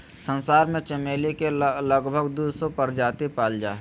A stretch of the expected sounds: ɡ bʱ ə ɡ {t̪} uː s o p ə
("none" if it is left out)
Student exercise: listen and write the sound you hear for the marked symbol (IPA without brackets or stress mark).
d̪